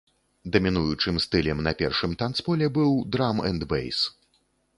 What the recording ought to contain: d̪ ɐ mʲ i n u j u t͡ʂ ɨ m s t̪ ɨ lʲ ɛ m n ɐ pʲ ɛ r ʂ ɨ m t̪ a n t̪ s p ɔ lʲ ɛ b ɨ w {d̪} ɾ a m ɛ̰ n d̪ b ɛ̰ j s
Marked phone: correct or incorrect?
correct